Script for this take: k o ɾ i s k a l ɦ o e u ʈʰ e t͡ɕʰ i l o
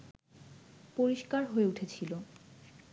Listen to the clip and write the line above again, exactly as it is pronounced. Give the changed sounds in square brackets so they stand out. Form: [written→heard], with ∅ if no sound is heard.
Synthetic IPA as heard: [k→p] o ɾ i [s→ʃ] k a [l→ɾ] ɦ o e u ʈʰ e t͡ɕʰ i l o